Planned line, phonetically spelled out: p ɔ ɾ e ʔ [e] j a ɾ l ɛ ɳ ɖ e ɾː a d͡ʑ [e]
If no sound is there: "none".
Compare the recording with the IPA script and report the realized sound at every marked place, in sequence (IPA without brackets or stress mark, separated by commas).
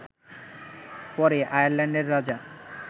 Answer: a, a